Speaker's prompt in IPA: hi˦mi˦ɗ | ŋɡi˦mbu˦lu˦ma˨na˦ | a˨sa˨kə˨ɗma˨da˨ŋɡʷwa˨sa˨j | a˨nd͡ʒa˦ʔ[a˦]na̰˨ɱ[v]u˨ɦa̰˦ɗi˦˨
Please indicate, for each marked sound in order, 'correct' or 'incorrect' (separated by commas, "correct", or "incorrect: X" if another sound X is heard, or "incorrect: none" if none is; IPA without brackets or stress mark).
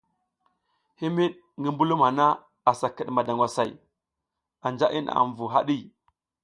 incorrect: i˦, correct